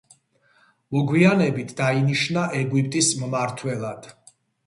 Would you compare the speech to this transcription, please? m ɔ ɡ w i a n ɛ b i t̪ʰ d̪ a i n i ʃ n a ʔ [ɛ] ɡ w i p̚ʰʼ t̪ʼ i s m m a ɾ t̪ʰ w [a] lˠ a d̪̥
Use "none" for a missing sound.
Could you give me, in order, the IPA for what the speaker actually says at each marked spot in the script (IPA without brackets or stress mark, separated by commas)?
ɛ, ɛ